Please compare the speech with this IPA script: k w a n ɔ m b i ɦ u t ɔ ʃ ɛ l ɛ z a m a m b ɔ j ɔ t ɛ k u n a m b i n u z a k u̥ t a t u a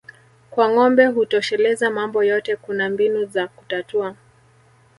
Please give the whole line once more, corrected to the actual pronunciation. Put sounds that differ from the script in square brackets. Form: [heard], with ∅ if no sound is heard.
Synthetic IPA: k w a [ŋ] ɔ m b [ɛ] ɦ u t ɔ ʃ ɛ l ɛ z a m a m b ɔ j ɔ t ɛ k u n a m b i n u z a k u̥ t a t u a